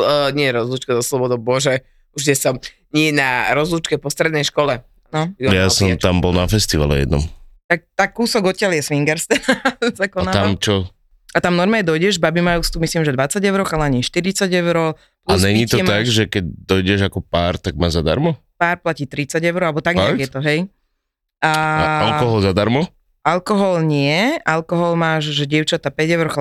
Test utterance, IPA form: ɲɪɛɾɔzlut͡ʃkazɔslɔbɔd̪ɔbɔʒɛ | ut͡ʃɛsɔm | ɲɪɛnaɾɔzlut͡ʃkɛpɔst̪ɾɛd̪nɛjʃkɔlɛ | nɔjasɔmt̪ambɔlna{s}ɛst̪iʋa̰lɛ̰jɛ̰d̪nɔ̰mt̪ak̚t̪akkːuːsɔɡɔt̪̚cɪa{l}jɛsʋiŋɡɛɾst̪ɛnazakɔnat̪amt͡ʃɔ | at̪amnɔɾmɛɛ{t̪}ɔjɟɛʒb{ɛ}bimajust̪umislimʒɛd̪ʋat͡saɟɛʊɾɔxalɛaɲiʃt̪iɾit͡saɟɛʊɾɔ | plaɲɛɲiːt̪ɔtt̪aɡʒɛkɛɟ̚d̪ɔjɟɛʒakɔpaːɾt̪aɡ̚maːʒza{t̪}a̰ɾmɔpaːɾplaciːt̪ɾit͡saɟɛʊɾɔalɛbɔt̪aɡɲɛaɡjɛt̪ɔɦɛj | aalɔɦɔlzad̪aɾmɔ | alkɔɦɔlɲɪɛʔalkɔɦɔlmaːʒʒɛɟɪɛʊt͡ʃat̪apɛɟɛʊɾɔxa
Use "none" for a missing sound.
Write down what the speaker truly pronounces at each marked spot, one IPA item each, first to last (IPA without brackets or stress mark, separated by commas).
f, l, d̪, a, d̪